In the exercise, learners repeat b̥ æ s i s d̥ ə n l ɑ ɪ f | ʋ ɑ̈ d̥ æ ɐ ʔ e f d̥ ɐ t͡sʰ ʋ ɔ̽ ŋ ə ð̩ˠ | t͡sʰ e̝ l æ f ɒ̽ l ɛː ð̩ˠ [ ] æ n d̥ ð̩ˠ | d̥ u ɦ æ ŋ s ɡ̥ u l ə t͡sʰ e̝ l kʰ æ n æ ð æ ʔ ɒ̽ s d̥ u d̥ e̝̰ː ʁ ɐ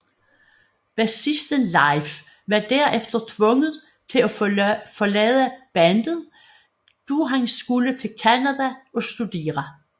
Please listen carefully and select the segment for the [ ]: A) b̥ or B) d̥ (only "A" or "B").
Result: A